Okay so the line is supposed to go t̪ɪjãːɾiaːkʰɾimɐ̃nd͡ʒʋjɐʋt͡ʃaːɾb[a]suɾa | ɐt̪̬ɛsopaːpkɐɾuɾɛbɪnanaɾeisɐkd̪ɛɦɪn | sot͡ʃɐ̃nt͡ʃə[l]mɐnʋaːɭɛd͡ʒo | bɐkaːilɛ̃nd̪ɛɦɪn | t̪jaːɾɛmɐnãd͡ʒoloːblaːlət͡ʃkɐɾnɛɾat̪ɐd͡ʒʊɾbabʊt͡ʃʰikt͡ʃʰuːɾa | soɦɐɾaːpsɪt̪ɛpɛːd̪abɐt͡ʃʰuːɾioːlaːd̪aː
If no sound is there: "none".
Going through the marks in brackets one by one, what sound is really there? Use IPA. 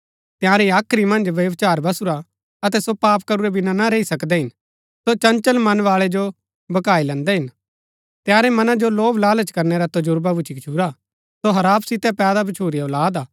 ɐ, l

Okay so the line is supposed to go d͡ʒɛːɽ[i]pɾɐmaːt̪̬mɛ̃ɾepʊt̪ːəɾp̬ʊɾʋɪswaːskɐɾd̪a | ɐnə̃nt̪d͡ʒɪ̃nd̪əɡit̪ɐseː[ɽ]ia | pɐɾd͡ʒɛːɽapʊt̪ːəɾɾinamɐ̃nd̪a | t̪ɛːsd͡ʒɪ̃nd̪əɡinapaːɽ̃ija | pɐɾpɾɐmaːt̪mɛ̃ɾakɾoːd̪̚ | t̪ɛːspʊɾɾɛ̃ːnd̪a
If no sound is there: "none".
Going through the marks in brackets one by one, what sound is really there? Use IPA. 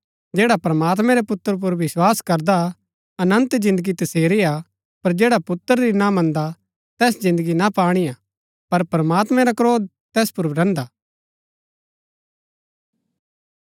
a, ɾ

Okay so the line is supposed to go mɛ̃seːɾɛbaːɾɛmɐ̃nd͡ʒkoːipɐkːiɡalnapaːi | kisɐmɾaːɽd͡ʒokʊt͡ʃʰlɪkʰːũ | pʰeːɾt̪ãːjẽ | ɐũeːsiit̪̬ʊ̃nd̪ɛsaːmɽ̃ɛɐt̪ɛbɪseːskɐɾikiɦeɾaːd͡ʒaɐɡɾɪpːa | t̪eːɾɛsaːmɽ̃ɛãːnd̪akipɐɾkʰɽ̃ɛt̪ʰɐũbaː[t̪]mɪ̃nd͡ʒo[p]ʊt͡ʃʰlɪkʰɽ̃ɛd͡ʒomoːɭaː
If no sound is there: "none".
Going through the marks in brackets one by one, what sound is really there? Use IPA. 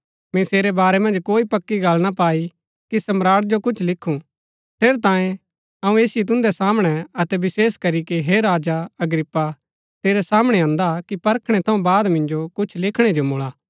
d̪, k

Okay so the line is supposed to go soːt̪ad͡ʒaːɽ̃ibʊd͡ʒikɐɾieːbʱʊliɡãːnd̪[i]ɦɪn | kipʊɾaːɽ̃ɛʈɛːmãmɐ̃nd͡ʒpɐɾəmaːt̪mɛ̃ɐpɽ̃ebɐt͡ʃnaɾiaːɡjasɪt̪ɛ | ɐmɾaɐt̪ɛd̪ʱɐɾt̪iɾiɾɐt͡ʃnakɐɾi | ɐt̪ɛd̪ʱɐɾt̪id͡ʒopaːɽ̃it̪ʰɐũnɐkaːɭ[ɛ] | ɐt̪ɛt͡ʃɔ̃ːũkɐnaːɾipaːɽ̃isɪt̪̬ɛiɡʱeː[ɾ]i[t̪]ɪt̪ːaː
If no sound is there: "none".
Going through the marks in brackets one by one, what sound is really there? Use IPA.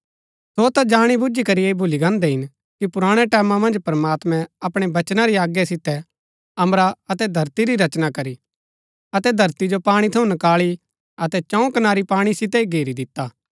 ɛ, i, ɾ, d̪

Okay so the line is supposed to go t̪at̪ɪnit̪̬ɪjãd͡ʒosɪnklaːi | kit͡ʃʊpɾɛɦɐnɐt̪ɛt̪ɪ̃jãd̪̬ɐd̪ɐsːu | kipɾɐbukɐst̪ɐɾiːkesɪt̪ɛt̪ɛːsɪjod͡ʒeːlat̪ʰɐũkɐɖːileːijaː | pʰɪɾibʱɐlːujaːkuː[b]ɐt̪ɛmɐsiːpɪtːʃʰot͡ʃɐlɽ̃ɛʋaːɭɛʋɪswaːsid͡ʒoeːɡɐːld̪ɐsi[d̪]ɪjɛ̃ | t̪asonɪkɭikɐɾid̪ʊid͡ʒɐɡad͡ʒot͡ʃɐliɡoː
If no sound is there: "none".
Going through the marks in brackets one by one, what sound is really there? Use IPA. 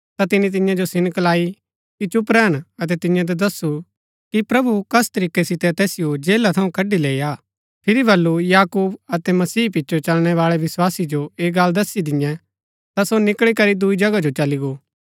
b, d̪

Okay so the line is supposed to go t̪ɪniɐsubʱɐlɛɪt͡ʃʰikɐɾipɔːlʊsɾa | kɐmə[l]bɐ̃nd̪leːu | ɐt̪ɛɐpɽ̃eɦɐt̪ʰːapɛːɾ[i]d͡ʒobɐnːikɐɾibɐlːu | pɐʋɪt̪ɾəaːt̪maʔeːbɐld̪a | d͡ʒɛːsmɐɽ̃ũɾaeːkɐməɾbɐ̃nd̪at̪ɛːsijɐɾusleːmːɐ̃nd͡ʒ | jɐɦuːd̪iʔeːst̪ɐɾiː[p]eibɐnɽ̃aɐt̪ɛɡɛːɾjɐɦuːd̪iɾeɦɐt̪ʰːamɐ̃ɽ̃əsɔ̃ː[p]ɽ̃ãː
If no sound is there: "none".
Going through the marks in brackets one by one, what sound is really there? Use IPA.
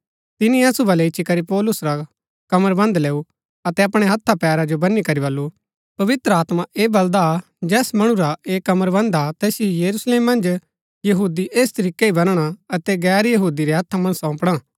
ɾ, a, k, p

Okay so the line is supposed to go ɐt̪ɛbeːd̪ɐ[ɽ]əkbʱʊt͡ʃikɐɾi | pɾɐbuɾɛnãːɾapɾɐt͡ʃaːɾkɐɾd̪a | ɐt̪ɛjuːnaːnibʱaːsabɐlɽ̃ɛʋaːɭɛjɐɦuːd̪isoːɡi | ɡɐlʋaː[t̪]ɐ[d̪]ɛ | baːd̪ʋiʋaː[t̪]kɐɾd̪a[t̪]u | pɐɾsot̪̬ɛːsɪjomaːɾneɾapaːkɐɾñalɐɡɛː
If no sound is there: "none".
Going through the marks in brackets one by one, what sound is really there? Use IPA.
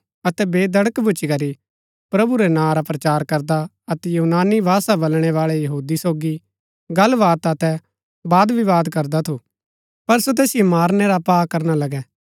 ɽ, t̪, t̪, d̪, t̪ʰ

